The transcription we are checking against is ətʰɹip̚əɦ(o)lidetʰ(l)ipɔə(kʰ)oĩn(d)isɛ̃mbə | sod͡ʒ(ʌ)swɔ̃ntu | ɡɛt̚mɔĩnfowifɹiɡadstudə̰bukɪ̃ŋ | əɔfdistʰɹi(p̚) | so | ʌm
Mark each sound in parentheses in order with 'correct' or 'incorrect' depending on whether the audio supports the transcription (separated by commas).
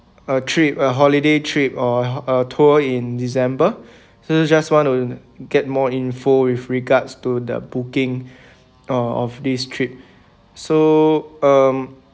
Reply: incorrect, incorrect, incorrect, correct, incorrect, correct